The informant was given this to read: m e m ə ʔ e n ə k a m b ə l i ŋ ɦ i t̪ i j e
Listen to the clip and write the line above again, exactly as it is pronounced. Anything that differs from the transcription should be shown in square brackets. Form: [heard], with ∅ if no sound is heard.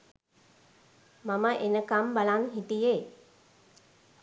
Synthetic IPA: m [a] m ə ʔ e n ə k a m b [a] l [a] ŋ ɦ i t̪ i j e